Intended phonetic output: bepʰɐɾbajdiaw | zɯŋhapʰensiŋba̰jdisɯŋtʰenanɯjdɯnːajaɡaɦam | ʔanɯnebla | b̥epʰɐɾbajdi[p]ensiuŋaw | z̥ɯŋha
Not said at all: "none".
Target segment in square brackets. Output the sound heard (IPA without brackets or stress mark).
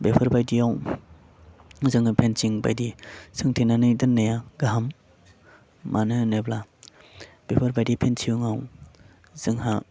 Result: pʰ